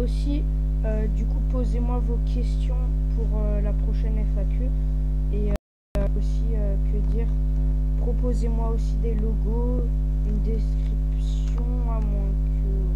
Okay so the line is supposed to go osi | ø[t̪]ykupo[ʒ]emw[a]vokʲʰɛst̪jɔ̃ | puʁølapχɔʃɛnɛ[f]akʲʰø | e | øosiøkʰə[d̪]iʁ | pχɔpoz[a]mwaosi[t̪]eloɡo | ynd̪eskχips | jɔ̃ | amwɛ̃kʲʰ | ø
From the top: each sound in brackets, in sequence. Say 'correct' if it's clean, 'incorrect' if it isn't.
incorrect: d̪, incorrect: z, correct, correct, correct, incorrect: e, incorrect: d̪

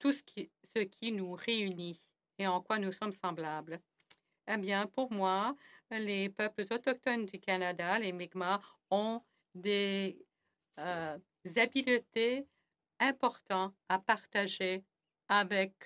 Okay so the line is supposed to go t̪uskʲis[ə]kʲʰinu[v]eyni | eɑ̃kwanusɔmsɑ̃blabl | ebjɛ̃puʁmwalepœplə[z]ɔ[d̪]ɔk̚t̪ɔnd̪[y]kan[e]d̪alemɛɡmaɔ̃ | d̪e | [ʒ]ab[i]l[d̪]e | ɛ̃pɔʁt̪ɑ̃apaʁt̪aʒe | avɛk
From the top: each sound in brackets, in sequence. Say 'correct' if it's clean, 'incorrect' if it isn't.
correct, incorrect: ʁ, correct, incorrect: t̪, correct, incorrect: a, incorrect: z, correct, incorrect: t̪

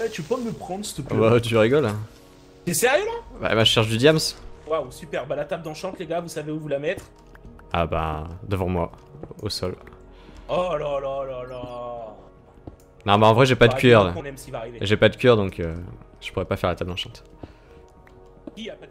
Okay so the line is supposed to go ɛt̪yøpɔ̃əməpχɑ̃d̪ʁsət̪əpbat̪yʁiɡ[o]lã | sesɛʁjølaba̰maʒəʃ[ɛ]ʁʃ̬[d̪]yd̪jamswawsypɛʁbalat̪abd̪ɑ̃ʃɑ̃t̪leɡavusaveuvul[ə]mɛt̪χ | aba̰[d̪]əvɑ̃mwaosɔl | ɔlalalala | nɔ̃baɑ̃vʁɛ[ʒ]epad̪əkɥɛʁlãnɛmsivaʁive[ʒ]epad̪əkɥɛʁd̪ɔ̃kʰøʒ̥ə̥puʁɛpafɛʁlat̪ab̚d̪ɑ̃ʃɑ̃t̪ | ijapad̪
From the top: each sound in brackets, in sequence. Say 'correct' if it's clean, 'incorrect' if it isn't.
incorrect: ɔ, correct, correct, incorrect: a, correct, correct, correct

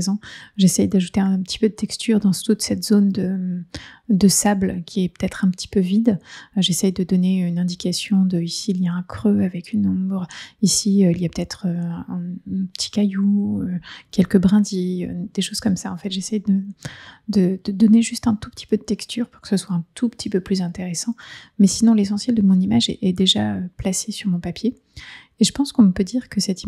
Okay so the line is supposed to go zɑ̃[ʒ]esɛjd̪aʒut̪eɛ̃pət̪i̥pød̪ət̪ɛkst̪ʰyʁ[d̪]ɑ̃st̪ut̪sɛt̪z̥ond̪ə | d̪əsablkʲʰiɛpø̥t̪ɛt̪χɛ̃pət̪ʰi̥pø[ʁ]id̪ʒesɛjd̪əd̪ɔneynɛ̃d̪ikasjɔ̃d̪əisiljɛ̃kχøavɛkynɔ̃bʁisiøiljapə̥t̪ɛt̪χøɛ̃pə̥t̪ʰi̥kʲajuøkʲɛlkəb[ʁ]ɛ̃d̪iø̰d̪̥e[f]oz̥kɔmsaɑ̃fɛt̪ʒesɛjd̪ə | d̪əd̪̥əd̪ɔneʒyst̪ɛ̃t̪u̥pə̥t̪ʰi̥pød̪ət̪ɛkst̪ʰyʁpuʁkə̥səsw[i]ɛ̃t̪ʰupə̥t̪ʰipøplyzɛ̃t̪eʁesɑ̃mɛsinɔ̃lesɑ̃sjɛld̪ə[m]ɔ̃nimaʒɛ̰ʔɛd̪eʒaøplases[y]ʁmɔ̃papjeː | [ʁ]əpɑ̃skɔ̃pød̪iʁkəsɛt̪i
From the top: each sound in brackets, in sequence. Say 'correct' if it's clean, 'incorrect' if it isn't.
correct, correct, incorrect: v, correct, incorrect: ʃ, incorrect: a, correct, correct, incorrect: ʒ

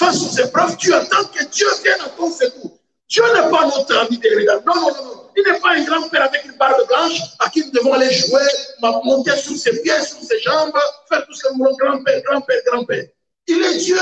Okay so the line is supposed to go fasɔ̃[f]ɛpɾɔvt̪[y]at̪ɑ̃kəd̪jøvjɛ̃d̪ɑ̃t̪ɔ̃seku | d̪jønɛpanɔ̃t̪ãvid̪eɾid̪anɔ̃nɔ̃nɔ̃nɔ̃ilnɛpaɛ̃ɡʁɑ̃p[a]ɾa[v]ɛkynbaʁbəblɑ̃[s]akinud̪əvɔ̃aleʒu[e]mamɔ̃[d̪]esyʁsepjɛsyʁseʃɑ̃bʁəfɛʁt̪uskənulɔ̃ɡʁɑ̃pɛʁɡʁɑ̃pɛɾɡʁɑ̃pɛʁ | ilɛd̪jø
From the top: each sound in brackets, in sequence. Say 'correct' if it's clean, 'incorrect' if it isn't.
incorrect: s, correct, incorrect: ɛ, correct, incorrect: ʃ, correct, incorrect: t̪

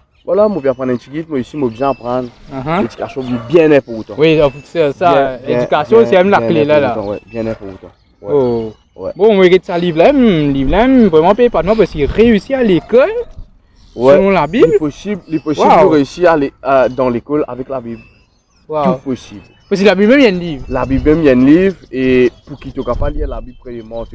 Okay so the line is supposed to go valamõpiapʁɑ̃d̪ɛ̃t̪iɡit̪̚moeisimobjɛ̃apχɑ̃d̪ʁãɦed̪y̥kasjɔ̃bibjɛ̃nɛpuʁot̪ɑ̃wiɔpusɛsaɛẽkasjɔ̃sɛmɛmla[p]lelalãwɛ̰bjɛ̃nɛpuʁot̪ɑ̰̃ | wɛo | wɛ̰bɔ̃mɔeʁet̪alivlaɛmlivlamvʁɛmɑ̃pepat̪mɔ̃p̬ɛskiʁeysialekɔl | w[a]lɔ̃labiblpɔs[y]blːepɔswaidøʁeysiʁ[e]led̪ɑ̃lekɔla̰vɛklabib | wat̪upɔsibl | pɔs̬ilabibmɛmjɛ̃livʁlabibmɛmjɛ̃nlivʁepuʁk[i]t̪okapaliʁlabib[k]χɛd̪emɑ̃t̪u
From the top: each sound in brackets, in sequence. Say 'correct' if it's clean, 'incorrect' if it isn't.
incorrect: k, incorrect: ɛ, incorrect: i, incorrect: a, correct, incorrect: p

